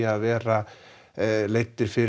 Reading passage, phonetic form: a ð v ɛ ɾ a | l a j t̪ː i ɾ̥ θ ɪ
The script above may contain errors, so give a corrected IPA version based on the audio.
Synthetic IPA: a ð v ɛː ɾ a | l e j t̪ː ɪ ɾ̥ f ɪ